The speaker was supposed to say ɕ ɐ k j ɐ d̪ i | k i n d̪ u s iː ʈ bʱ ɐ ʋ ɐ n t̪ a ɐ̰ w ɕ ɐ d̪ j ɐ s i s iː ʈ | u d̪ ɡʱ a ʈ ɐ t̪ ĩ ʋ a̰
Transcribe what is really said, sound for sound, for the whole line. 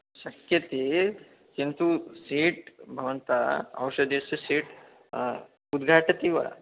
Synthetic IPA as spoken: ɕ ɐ k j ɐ t̪ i | k i n t̪ u s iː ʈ bʱ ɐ ʋ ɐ n t̪ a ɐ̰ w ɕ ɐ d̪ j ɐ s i s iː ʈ | u d̪ ɡʱ a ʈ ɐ t̪ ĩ ʋ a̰